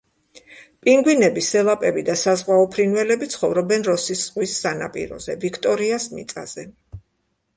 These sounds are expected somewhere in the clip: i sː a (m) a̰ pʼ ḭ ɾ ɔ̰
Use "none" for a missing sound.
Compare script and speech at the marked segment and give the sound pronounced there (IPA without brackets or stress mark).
n